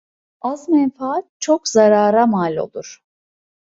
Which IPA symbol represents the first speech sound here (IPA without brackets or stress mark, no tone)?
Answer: a